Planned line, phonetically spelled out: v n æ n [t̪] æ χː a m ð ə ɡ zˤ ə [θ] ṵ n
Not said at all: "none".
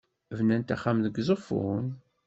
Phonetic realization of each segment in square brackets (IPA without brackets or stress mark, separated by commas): t̪, f